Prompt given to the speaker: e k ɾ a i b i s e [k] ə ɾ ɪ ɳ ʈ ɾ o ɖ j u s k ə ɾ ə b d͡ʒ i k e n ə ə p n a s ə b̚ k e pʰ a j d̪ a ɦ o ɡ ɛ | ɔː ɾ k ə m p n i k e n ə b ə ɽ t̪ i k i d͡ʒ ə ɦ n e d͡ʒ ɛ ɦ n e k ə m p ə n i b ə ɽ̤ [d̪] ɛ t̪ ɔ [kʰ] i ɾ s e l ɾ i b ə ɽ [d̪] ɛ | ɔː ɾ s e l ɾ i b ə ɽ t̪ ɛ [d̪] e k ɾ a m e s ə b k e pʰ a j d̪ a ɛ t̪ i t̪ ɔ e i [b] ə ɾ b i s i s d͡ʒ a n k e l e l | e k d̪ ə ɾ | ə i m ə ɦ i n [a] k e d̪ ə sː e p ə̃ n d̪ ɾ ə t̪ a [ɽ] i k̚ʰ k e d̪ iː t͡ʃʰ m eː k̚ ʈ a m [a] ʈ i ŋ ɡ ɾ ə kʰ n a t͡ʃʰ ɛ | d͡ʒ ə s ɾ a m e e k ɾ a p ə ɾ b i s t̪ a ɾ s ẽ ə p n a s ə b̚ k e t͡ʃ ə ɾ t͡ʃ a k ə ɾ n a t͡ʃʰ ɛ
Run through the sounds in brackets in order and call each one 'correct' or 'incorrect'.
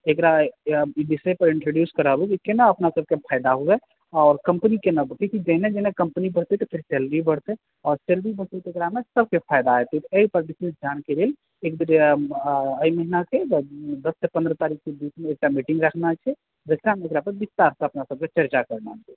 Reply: incorrect: p, incorrect: t̪, incorrect: pʰ, incorrect: t̪, incorrect: t̪, incorrect: p, correct, incorrect: ɾ, incorrect: i

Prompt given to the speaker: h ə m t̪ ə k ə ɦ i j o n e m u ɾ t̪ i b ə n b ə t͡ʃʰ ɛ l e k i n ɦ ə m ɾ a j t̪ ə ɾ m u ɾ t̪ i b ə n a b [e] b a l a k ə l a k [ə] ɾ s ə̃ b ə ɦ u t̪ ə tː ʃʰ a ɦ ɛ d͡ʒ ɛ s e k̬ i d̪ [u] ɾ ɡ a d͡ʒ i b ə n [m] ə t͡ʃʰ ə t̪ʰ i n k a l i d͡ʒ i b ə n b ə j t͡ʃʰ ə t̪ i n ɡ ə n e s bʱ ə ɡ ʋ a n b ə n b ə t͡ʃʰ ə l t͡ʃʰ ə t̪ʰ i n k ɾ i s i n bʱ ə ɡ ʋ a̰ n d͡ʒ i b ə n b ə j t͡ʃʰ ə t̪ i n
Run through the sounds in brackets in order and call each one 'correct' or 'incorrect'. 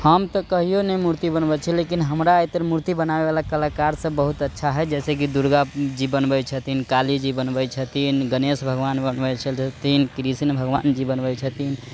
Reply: correct, incorrect: a, correct, incorrect: b

